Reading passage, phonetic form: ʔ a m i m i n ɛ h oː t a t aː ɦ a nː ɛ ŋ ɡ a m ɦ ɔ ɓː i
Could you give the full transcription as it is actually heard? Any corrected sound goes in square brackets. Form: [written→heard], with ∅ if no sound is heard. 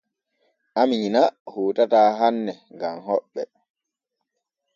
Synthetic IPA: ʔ a m i [m→ɲ] i n [ɛ→a] h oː t a t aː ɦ a nː ɛ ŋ ɡ a m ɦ ɔ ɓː [i→ɛ]